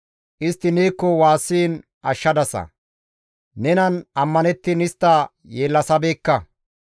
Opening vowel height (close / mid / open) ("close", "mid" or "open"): close